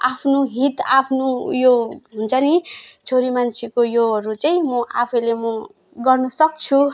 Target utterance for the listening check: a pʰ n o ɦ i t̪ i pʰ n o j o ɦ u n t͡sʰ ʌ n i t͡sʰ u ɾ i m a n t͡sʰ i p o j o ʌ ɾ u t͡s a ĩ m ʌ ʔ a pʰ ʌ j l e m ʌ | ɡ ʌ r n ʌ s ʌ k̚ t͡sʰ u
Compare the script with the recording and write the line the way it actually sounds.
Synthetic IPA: a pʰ n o ɦ i t̪ a pʰ n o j o ɦ u n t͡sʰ ʌ n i t͡sʰ o ɾ i m a n t͡sʰ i k o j o ʌ ɾ u t͡s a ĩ m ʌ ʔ a pʰ ʌ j l e m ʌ | ɡ ʌ r n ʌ s ʌ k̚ t͡sʰ u